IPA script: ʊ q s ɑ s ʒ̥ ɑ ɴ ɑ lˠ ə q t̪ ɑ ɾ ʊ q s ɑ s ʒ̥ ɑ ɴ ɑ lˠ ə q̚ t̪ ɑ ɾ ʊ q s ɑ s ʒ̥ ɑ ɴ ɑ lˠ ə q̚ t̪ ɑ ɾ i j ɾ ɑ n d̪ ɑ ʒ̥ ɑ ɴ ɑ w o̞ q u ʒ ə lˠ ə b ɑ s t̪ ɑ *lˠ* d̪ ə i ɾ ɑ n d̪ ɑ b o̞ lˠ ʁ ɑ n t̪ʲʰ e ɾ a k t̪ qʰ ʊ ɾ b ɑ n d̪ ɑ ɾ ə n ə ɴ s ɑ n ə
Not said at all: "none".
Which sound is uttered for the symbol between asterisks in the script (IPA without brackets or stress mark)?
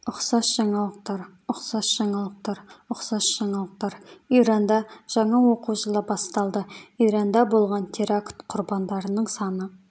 lˠ